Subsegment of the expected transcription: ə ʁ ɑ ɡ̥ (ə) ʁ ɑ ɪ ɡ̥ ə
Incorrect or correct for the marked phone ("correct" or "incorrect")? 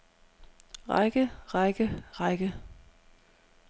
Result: correct